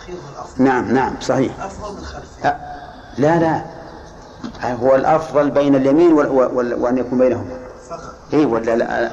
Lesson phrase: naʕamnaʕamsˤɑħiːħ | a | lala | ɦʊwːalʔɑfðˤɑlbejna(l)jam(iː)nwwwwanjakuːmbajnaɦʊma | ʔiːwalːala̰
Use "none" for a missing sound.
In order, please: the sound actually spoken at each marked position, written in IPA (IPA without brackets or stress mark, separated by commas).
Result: l, iː